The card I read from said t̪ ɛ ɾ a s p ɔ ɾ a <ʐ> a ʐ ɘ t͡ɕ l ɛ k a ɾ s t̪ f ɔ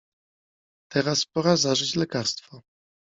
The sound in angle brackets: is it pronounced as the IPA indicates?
no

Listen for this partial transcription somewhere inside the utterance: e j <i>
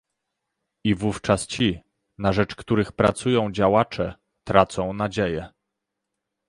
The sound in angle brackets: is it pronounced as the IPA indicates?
no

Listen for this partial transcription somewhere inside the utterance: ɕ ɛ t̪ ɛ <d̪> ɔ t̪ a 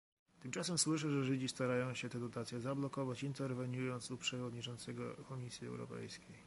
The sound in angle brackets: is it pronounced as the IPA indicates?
yes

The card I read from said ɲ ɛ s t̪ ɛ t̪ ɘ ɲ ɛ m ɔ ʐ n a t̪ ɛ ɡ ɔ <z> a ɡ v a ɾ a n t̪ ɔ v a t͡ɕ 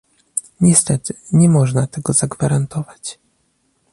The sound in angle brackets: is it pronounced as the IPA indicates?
yes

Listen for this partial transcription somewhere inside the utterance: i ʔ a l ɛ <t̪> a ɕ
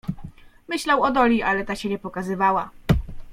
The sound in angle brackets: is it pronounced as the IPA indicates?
yes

